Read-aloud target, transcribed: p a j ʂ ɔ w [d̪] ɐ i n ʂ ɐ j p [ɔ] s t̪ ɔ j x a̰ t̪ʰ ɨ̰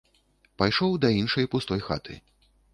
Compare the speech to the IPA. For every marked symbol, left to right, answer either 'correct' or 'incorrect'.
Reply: correct, incorrect

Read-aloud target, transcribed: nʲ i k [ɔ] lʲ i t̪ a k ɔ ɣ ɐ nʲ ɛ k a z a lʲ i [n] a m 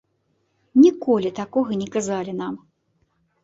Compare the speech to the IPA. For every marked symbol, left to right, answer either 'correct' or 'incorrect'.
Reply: correct, correct

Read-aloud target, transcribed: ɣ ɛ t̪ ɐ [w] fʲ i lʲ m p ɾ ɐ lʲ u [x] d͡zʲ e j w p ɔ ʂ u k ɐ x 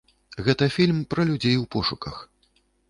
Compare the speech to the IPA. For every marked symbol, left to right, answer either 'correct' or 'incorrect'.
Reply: incorrect, incorrect

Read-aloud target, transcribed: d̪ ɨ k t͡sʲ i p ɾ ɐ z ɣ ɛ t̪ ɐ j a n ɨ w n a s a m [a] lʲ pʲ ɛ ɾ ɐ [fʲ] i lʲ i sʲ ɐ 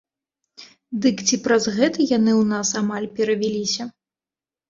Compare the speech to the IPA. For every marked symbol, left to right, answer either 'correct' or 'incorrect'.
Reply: correct, incorrect

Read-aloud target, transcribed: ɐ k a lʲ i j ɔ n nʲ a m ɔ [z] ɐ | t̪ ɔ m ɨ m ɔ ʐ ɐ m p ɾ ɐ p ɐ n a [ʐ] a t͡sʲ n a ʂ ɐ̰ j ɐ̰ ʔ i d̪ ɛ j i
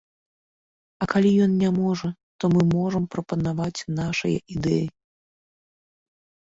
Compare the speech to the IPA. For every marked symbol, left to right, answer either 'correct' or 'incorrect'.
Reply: incorrect, incorrect

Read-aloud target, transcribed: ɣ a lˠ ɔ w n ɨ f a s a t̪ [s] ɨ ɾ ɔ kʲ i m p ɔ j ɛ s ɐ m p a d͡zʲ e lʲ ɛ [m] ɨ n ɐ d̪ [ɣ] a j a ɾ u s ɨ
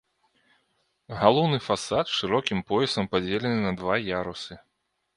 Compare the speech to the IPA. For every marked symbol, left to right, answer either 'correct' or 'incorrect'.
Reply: incorrect, incorrect, incorrect

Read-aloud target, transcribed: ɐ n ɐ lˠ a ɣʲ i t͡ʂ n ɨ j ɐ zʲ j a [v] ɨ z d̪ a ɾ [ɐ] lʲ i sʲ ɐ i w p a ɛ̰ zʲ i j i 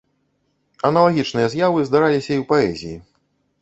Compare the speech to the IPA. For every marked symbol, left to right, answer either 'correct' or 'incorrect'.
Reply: correct, incorrect

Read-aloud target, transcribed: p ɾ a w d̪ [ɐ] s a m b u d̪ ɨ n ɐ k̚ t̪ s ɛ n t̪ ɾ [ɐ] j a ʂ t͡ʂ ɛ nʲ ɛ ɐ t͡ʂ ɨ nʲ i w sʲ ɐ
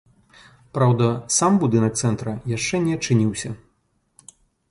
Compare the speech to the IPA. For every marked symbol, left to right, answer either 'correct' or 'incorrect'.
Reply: correct, correct

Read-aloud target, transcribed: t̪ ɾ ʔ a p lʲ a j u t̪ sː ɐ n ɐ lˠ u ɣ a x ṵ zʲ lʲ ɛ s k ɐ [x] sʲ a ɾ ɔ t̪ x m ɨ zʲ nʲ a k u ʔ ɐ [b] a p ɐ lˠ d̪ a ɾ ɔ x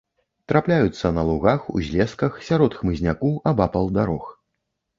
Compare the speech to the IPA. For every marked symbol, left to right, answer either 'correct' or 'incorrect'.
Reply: correct, correct

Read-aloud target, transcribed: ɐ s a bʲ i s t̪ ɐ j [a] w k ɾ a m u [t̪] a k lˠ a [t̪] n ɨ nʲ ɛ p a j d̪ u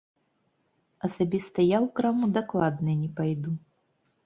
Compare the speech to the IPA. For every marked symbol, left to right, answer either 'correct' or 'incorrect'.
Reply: correct, incorrect, incorrect

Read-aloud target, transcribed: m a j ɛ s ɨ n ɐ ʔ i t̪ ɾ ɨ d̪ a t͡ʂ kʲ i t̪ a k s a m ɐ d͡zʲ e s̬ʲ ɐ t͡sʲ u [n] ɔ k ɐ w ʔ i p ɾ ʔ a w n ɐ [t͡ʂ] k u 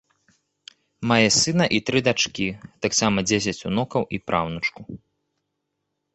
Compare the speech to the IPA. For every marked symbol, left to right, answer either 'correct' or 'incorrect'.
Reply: correct, correct

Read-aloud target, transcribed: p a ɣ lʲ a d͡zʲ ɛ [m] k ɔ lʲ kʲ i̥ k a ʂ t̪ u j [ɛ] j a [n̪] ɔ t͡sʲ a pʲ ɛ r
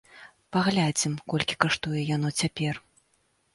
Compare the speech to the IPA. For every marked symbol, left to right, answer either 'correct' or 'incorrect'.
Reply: correct, correct, correct

